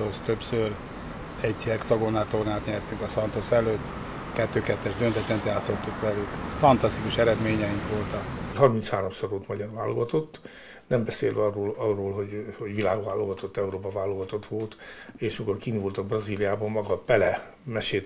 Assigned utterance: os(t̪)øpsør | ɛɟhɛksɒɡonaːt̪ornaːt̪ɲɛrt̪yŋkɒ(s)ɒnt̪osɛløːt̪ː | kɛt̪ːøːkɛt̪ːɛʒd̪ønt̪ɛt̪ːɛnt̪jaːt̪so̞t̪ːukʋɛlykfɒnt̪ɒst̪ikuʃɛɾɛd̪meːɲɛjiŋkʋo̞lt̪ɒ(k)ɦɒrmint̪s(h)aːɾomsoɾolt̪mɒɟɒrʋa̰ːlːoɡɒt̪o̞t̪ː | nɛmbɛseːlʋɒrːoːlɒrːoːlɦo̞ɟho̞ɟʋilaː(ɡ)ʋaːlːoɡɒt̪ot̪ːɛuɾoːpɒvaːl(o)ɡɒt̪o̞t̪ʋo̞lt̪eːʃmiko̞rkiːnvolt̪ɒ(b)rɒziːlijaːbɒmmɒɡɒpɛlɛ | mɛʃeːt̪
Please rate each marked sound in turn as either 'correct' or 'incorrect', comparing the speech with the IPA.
correct, correct, correct, correct, correct, correct, correct

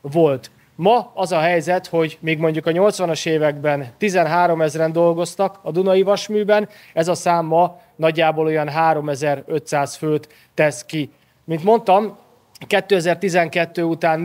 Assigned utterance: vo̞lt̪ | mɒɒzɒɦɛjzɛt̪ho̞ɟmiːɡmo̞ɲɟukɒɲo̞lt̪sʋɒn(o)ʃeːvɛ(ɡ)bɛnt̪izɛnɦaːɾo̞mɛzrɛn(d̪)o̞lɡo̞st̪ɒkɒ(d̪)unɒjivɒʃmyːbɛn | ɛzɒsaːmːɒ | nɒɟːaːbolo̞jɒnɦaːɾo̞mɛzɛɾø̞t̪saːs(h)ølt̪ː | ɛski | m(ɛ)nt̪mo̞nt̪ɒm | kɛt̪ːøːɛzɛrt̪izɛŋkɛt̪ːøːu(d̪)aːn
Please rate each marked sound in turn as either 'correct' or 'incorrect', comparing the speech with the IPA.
incorrect: ɒ, correct, correct, correct, incorrect: f, incorrect: i, incorrect: t̪

